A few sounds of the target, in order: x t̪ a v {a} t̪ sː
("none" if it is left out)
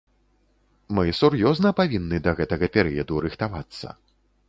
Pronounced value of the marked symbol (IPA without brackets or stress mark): a